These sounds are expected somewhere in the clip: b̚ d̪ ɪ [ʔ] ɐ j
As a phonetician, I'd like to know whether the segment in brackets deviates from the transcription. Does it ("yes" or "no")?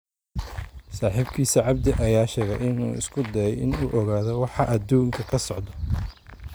no